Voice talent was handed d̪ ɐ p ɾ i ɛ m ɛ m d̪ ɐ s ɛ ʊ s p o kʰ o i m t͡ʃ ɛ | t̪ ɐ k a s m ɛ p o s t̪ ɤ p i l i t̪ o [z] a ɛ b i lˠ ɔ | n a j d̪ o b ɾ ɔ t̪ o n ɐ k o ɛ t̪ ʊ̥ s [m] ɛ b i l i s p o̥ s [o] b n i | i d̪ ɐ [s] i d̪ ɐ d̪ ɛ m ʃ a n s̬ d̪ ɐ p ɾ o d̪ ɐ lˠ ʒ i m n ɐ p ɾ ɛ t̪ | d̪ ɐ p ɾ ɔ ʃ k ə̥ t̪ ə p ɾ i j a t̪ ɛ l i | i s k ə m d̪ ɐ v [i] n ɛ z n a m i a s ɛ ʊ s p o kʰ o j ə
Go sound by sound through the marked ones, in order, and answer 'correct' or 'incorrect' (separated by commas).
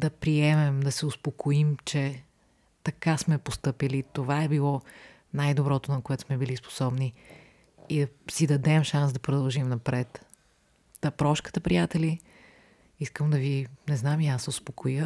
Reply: incorrect, correct, incorrect, correct, correct